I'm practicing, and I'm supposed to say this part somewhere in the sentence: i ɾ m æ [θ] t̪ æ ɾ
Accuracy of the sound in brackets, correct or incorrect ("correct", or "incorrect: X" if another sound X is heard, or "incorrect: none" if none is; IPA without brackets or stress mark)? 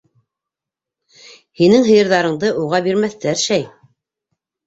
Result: correct